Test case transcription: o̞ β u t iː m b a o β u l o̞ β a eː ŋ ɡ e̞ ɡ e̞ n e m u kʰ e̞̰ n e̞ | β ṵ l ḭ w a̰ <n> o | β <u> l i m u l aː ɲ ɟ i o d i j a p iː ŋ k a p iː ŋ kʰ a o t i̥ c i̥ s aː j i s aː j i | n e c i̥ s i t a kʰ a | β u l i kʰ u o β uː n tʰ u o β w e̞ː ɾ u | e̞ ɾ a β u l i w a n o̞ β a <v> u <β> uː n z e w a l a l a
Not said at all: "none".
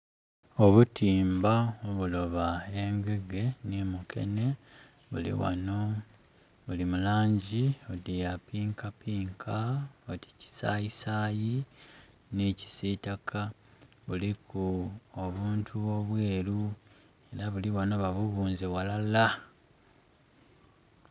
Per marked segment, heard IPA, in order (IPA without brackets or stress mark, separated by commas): n, u, β, β